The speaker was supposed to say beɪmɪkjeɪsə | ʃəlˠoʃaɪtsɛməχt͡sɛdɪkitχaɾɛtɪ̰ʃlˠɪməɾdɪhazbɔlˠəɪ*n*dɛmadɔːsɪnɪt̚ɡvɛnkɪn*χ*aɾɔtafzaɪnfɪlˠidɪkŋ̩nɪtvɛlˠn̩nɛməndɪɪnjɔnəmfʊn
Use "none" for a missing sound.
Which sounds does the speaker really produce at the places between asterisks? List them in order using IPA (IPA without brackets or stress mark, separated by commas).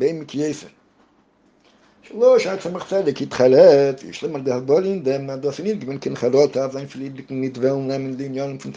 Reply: n, χ